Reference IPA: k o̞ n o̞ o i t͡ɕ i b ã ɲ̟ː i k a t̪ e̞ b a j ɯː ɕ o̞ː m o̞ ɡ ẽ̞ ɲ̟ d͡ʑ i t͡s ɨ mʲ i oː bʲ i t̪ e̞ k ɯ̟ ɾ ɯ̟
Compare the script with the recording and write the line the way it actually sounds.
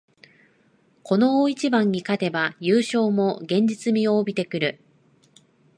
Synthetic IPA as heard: k o̞ n o̞ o i t͡ɕ i b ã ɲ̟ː i k a t̪ e̞ b a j ɯː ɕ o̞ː m o̞ ɡ ẽ̞ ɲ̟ d͡ʑ i t͡s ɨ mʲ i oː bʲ i t̪ e̞ k ɯ̟ ɾ ɯ̟